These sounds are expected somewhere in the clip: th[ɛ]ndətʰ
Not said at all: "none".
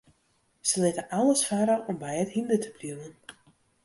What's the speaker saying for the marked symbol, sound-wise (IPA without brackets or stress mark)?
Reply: i